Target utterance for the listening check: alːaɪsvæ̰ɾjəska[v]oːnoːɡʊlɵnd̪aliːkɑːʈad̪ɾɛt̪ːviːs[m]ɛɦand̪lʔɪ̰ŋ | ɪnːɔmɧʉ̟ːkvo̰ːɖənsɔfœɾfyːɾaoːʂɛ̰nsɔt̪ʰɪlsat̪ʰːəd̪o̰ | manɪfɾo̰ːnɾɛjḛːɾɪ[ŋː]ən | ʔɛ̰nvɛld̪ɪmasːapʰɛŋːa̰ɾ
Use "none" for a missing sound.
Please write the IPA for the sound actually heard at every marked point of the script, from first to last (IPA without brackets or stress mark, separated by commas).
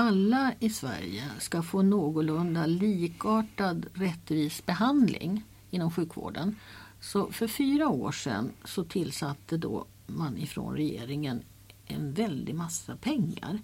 f, b, ŋ